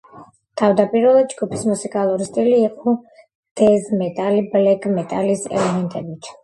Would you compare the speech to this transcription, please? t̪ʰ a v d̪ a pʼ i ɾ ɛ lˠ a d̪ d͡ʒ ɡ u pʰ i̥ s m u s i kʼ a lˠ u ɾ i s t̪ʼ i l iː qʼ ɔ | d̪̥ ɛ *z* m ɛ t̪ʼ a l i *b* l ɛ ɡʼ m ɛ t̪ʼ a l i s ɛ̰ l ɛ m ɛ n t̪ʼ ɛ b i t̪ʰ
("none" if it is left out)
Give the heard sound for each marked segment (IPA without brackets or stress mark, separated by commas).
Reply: z, b